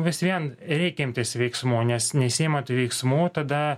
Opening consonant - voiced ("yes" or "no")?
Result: yes